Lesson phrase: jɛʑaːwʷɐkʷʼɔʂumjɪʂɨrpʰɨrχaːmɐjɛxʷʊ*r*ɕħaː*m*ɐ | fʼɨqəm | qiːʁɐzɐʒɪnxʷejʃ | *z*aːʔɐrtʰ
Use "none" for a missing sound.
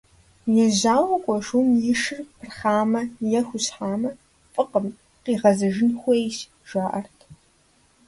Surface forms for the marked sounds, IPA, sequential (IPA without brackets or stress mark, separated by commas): none, m, ʒ